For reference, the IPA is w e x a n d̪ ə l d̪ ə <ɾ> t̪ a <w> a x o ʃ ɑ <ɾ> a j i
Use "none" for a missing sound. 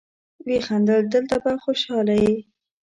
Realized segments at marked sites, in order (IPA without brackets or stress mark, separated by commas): l, b, l